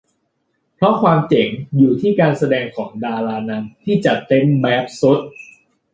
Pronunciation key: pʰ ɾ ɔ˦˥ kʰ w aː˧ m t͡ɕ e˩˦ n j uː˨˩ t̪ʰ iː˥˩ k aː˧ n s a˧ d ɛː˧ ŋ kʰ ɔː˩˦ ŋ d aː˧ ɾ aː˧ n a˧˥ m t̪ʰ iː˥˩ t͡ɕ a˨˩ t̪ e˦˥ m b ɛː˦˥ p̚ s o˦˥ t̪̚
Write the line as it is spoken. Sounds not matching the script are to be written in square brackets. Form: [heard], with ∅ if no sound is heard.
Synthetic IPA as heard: pʰ ɾ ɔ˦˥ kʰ w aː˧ m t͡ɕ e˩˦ [ŋ] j uː˨˩ t̪ʰ iː˥˩ k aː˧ n s a˧ d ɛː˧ ŋ kʰ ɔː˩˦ ŋ d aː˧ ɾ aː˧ n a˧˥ m t̪ʰ iː˥˩ t͡ɕ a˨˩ t̪ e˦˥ m b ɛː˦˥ p̚ s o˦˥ t̪̚